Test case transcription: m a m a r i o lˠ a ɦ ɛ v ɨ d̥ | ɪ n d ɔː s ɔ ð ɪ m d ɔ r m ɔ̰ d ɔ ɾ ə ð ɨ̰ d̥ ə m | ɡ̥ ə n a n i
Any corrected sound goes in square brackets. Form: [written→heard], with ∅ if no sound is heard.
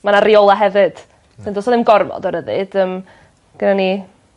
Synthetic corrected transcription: m a [m→n] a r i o lˠ a ɦ ɛ v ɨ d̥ | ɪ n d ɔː s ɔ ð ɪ m [d→ɡ] ɔ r m ɔ̰ d ɔ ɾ ə ð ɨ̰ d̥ ə m | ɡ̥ ə n a n i